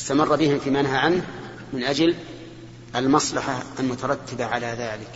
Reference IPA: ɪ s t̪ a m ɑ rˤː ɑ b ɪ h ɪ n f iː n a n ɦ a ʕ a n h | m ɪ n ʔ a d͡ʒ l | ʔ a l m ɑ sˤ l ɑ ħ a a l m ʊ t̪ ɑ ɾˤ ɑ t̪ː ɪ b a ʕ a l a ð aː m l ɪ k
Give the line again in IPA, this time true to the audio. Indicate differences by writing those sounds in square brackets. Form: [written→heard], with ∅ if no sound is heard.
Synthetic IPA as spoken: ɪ s t̪ a m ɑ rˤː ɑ b ɪ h ɪ [n→m] f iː [n→m] a n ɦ a ʕ a n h | m ɪ n ʔ a d͡ʒ l | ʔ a l m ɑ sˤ l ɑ ħ a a l m ʊ t̪ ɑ ɾˤ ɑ t̪ː ɪ b a ʕ a l a ð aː [m→∅] l ɪ k